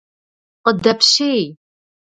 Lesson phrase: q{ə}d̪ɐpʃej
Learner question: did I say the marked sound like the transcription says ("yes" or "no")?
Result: yes